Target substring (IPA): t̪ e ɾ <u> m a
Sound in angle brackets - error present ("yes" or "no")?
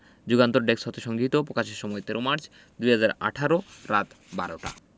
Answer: yes